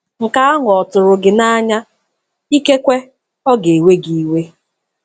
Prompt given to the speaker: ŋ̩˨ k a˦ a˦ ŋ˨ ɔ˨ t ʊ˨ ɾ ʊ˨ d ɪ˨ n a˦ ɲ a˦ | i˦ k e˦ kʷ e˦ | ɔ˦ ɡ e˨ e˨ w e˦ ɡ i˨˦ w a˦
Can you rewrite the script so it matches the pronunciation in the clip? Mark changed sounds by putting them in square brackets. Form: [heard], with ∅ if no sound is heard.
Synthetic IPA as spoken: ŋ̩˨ k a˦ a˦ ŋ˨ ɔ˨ t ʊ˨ ɾ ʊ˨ [ɡ] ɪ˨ n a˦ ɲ a˦ | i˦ k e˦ kʷ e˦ | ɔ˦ ɡ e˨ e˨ w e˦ ɡ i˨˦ w [e˦]